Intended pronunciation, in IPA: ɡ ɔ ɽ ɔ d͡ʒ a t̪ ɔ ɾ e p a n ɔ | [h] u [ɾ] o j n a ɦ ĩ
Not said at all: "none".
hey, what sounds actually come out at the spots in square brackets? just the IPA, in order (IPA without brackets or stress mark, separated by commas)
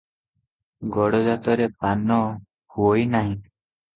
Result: h, none